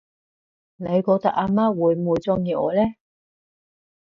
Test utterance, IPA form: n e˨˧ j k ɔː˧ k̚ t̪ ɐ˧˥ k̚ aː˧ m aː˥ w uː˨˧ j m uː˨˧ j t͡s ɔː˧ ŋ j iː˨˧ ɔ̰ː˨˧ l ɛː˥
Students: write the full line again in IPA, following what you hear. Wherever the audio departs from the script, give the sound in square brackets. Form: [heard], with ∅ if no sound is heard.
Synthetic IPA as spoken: n e˨˧ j k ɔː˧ k̚ t̪ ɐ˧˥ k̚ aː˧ m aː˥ w uː˨˧ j m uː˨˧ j t͡s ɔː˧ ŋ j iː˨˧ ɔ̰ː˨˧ l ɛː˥